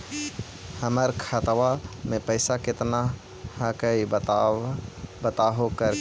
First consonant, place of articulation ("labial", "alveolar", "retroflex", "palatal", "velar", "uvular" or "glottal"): glottal